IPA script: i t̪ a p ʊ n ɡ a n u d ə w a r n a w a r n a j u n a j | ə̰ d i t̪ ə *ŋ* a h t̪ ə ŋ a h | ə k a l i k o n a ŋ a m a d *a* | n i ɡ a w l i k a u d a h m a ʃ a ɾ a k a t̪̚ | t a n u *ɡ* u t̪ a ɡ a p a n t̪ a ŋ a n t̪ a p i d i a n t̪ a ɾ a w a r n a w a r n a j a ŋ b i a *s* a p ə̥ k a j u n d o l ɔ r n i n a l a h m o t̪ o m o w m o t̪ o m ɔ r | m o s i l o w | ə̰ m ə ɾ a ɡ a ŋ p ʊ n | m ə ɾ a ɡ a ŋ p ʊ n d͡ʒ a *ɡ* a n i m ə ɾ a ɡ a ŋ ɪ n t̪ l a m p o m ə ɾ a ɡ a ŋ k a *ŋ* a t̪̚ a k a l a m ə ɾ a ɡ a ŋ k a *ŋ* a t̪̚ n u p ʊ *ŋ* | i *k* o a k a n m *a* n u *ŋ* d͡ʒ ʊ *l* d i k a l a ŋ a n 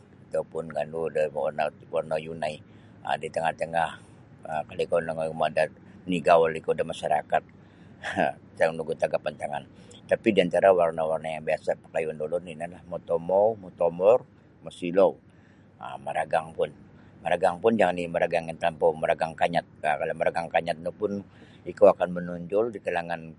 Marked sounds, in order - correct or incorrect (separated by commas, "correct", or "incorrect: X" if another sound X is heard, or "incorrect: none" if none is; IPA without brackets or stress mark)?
correct, correct, correct, correct, incorrect: ŋ, incorrect: ɲ, incorrect: ɲ, incorrect: n, correct, incorrect: ə, incorrect: ɲ, correct